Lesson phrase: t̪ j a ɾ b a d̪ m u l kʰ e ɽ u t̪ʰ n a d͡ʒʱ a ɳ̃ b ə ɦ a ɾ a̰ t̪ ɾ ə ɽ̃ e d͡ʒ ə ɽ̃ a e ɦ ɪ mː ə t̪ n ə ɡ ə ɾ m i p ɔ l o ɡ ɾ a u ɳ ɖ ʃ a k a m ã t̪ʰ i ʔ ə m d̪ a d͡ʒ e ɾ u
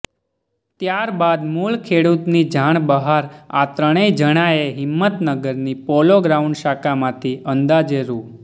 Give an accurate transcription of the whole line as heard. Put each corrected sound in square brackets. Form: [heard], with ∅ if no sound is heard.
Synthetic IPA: t̪ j a ɾ b a d̪ m u l kʰ e ɽ u [t̪] n [i] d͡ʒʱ a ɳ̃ b ə ɦ a ɾ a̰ t̪ ɾ ə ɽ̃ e d͡ʒ ə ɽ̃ a e ɦ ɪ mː ə t̪ n ə ɡ ə ɾ [n] i p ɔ l o ɡ ɾ a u ɳ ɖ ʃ a k a m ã t̪ʰ i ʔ ə [n] d̪ a d͡ʒ e ɾ u